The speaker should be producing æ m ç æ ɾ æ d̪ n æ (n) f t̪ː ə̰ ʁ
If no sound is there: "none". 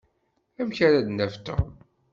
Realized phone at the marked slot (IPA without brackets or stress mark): none